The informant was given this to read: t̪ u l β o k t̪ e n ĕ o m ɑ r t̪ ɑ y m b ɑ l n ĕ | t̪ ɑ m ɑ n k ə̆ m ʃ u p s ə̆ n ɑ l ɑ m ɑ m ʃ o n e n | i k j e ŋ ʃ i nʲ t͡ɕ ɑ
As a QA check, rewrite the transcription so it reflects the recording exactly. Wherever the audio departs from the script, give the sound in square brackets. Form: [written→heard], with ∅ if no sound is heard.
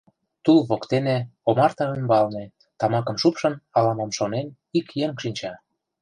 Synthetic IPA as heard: t̪ u l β o k t̪ e n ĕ o m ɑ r t̪ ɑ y m b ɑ l n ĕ | t̪ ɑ m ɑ [n→∅] k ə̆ m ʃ u p [s→ʃ] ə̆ n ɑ l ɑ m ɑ m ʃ o n e n | i k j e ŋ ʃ i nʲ t͡ɕ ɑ